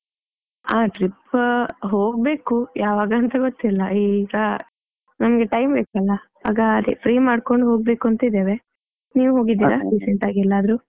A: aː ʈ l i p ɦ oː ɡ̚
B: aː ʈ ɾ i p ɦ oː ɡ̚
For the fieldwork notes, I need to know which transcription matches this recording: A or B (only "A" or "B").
B